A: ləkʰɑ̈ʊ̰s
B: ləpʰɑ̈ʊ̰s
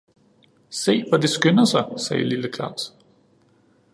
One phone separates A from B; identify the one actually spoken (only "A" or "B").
A